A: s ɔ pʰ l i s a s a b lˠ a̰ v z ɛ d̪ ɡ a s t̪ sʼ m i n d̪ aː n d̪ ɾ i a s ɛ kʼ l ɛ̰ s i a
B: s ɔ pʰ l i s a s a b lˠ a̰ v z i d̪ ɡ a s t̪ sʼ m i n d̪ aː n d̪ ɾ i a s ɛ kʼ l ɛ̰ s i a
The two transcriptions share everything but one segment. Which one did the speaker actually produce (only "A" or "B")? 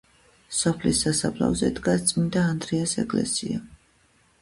A